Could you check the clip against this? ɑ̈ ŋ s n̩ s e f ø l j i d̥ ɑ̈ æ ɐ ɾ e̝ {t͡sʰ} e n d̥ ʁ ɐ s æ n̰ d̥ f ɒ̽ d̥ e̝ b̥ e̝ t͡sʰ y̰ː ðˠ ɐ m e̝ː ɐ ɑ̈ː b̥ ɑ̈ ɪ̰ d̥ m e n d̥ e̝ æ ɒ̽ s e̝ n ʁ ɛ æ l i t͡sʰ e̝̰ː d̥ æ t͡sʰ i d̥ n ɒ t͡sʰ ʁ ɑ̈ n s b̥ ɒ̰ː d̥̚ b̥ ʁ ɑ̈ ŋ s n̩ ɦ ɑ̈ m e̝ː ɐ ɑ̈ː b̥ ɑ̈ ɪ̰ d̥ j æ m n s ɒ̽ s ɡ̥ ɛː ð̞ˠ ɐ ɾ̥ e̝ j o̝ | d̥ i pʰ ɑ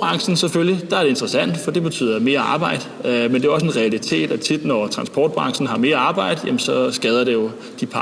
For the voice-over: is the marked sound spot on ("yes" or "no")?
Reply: no